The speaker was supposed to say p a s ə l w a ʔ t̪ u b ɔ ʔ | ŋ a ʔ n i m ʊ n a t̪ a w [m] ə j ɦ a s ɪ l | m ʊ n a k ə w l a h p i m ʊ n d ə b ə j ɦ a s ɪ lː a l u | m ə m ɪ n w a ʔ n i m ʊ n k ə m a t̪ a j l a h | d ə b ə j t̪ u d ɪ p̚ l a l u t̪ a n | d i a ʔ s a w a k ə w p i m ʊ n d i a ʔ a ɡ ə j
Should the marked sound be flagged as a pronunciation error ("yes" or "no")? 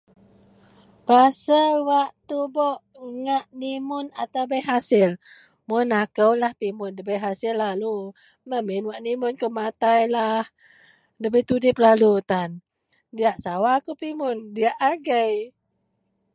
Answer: yes